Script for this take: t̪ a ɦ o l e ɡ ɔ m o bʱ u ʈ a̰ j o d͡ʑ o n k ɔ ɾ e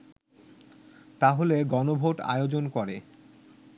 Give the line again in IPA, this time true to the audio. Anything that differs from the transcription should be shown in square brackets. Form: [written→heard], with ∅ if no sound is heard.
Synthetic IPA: t̪ a ɦ o l e ɡ ɔ [m→n] o bʱ [u→o] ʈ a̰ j o d͡ʑ o n k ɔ ɾ e